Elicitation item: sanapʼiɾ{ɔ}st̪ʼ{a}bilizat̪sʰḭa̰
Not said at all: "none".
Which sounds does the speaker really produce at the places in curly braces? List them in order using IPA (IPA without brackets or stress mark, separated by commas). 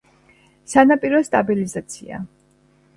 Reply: ɔ, a